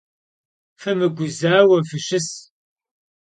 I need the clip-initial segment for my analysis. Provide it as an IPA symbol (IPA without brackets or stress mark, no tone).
f